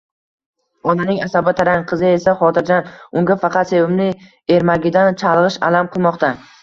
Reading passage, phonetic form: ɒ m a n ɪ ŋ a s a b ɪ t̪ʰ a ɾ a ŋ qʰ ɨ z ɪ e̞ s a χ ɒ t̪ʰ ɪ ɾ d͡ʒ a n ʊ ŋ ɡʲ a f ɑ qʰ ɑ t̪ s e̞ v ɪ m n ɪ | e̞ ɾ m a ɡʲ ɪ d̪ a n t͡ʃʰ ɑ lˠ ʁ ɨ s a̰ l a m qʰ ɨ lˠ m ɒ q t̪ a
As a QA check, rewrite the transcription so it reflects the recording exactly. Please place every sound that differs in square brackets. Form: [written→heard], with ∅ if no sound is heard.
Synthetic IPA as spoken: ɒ [m→n] a n ɪ ŋ a s a b ɪ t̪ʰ a ɾ a ŋ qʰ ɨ z ɪ e̞ s a χ ɒ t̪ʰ ɪ ɾ d͡ʒ a n ʊ ŋ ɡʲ a f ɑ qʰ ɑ t̪ s e̞ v ɪ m n ɪ | e̞ ɾ m a ɡʲ ɪ d̪ a n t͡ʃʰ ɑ lˠ ʁ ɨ [s→ʃ] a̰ l a m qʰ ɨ lˠ m ɒ q t̪ a